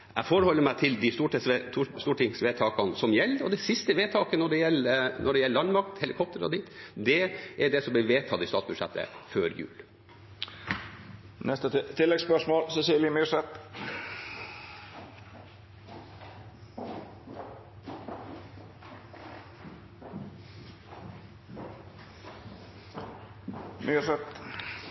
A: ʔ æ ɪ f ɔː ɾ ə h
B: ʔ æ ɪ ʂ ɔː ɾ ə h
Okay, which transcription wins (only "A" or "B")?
A